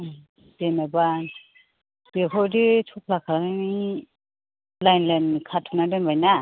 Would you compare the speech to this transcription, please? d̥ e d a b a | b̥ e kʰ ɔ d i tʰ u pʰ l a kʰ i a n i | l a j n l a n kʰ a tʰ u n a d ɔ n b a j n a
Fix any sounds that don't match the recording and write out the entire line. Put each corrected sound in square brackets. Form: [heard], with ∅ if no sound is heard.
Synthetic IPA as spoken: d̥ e [n] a b a | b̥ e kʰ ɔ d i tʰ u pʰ l a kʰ [a] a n i | l a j n l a n kʰ a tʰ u n a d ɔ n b a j n a